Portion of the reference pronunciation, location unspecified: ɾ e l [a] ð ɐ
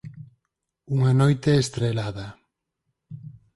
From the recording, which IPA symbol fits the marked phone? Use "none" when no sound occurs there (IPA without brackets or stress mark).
a